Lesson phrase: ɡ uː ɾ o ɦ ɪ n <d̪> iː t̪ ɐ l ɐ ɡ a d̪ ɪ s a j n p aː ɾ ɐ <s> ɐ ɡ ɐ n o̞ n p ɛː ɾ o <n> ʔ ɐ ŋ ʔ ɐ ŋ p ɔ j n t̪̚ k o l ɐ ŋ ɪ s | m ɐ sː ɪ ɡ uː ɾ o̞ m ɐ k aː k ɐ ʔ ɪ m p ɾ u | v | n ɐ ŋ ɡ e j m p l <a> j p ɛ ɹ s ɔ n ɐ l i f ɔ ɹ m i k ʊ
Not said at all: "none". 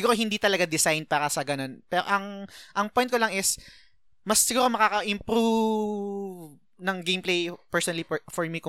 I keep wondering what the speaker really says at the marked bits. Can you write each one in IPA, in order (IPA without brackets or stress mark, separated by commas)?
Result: d̪, s, none, e